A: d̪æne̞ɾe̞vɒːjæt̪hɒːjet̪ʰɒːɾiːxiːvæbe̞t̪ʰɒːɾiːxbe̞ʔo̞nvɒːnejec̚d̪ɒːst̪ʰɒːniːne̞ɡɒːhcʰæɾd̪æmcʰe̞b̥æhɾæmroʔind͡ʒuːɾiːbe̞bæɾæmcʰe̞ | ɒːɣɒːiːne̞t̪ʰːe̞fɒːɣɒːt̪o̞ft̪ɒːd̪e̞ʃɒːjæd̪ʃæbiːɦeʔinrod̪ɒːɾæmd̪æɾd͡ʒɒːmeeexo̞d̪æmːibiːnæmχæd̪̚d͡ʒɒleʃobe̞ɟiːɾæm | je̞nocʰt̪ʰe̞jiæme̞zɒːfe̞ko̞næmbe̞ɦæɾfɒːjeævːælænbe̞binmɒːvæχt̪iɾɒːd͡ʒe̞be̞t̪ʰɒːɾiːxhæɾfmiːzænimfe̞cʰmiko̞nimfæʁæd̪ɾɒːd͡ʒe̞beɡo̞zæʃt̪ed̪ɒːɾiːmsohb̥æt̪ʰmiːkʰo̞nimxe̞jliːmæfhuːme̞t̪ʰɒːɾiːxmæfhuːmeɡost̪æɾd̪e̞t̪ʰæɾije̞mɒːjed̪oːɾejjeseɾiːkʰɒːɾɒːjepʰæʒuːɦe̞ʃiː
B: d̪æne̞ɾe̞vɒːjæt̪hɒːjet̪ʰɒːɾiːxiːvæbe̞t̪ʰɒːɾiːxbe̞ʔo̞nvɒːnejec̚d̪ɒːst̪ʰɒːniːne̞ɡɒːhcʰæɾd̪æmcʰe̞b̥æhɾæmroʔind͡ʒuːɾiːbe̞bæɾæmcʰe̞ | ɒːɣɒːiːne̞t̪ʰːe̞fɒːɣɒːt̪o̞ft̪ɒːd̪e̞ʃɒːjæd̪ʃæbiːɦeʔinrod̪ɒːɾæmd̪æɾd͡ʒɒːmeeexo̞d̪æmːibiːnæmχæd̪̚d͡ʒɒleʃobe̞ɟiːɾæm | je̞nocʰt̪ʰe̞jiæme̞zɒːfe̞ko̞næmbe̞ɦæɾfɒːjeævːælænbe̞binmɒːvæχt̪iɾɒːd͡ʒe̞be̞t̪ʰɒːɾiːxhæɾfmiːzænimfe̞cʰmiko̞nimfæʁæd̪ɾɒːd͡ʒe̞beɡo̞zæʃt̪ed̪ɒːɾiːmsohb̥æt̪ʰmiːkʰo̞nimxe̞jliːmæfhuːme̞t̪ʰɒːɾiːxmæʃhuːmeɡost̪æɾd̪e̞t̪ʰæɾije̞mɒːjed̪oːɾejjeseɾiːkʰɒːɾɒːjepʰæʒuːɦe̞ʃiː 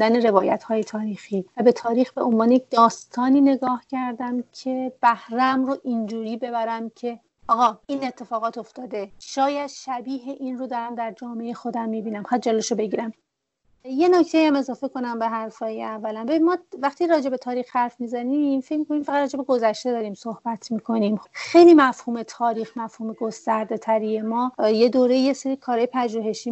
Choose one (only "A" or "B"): A